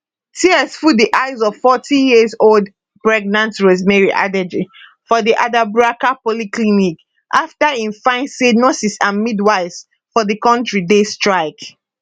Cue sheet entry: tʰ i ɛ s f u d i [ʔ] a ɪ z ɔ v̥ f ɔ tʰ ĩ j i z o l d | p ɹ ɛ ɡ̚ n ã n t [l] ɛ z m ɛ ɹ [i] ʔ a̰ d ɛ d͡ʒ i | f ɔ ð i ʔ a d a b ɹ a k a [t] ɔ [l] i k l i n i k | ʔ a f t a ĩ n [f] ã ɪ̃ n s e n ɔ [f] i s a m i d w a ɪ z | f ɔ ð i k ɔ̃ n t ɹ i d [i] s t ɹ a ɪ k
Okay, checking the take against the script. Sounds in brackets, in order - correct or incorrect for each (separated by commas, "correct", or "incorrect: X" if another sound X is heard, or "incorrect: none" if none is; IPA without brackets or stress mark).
correct, incorrect: ɹ, correct, incorrect: p, correct, correct, incorrect: s, incorrect: e